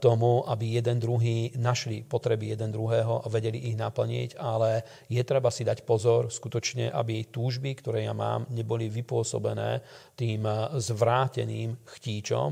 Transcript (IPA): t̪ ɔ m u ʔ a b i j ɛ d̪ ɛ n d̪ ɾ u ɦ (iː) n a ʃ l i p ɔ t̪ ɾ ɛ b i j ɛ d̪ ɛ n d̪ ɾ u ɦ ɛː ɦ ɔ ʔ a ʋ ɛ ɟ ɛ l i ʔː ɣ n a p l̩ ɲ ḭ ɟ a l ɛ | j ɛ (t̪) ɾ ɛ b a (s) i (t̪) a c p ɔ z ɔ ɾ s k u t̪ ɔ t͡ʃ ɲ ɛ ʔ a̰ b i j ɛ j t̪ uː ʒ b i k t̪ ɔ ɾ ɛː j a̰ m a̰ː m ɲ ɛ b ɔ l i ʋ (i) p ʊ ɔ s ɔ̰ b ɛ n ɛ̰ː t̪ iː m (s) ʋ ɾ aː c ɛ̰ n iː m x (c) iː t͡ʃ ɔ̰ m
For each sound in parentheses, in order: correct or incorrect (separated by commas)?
correct, correct, correct, incorrect, correct, incorrect, correct